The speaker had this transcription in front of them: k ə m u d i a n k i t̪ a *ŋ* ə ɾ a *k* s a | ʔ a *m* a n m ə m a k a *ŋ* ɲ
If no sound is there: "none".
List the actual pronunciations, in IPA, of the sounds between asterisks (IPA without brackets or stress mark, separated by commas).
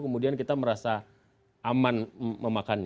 m, none, m, n